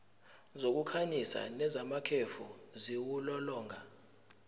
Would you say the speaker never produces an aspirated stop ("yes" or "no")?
no